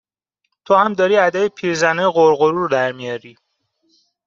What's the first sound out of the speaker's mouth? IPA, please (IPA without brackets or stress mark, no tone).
t̪ʰ